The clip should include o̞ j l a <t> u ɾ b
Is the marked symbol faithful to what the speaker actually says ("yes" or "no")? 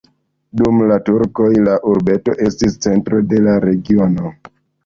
no